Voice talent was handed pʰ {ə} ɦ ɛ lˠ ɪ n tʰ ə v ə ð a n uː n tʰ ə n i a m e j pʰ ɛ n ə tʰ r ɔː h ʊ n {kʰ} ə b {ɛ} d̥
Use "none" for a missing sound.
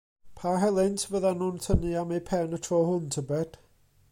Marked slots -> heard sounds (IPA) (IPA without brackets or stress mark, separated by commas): a, tʰ, ɛ